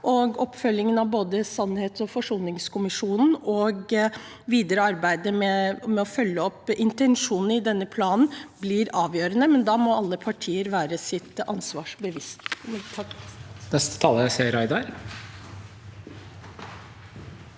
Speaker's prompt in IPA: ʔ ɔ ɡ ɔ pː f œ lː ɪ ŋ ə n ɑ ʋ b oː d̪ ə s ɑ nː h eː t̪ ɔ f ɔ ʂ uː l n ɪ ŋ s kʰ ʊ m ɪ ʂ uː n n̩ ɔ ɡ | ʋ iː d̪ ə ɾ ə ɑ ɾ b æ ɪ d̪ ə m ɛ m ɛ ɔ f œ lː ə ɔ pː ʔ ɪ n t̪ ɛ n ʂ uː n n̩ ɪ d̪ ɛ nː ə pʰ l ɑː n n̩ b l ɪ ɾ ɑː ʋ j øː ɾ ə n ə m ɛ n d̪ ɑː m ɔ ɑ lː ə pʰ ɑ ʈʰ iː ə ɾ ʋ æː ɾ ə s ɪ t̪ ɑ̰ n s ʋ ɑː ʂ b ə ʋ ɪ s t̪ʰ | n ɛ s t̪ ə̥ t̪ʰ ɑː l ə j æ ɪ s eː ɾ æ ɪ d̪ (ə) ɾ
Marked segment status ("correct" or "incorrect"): incorrect